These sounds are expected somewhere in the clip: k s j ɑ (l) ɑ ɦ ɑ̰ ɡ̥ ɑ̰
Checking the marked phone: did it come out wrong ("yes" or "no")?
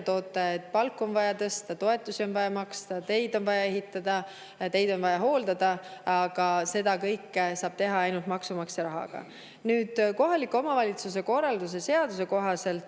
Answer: yes